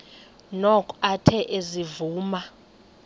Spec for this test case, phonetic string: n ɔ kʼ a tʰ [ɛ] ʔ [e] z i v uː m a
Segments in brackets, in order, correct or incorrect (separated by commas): correct, correct